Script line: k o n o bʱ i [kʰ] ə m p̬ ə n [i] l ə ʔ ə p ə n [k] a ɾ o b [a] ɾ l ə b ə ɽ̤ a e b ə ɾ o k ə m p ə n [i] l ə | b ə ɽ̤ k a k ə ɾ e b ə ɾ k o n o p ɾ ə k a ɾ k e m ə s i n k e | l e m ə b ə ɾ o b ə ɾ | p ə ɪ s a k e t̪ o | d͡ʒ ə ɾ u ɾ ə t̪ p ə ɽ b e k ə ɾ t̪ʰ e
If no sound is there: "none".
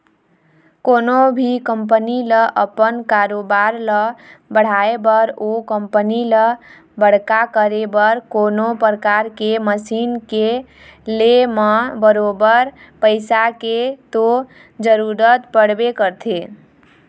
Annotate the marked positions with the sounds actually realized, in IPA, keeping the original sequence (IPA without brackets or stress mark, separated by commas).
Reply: k, i, k, a, i